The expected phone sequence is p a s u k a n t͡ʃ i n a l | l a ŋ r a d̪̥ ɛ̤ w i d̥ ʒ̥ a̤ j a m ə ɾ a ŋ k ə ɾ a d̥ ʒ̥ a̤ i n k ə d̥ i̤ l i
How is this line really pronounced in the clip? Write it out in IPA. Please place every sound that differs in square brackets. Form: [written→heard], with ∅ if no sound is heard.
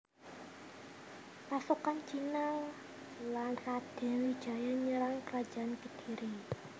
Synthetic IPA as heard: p a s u k a n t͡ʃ i n a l | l a [ŋ→n] r a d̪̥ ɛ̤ w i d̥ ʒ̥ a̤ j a [m→ɲ] ə ɾ a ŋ k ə ɾ a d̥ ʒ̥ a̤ [i→a] n k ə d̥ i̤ [l→ɾ] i